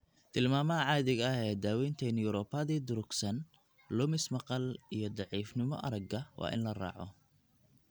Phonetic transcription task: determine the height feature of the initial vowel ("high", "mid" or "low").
high